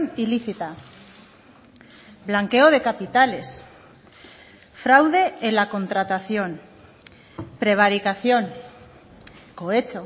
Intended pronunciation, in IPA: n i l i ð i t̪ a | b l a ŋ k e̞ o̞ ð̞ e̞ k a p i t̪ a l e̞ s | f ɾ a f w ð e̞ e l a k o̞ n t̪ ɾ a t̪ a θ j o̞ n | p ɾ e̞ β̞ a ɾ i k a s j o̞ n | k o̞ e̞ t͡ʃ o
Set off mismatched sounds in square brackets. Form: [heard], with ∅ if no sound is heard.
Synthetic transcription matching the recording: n i l i [θ] i t̪ a | b l a ŋ k e̞ o̞ ð̞ e̞ k a p i t̪ a l e̞ s | f ɾ a [∅] w ð e̞ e l a k o̞ n t̪ ɾ a t̪ a θ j o̞ n | p ɾ e̞ β̞ a ɾ i k a [θ] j o̞ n | k o̞ e̞ t͡ʃ o